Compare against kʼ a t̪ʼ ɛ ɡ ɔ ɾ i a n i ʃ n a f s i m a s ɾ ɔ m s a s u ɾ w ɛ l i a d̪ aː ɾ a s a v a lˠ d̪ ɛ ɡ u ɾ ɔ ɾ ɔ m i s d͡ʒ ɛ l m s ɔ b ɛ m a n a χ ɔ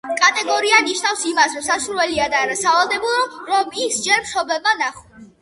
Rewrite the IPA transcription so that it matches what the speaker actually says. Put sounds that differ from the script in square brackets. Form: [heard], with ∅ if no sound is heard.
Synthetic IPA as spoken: kʼ a t̪ʼ ɛ ɡ ɔ ɾ i a n i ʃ n a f s i m a s ɾ ɔ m s a s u ɾ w ɛ l i a d̪ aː ɾ a s a v a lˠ d̪ ɛ [b] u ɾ ɔ ɾ ɔ m i s d͡ʒ ɛ [ɾ] m [ʃ] ɔ b ɛ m a n a χ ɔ